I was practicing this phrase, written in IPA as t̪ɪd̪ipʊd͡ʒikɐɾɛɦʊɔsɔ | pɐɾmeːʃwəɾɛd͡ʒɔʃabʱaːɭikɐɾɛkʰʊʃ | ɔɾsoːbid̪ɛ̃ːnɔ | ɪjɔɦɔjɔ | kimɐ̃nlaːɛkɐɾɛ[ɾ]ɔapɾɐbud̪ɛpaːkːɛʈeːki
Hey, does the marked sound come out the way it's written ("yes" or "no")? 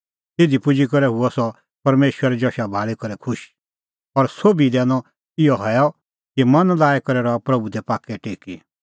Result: yes